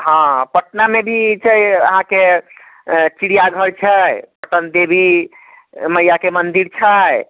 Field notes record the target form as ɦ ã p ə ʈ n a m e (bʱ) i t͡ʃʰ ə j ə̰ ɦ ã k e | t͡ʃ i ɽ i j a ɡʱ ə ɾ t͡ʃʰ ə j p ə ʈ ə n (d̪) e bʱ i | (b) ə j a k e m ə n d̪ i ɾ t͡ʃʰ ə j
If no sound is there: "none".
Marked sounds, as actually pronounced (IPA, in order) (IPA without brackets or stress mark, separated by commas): bʱ, d̪, m